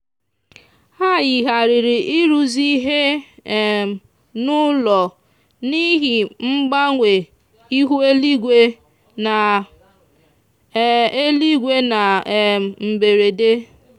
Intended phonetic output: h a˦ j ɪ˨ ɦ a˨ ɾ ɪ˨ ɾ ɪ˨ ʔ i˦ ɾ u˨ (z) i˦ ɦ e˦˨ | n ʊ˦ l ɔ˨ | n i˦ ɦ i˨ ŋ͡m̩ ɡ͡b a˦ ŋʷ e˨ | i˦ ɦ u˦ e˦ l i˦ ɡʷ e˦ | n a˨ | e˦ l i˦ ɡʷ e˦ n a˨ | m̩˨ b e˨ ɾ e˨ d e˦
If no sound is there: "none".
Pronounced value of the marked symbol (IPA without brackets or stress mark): z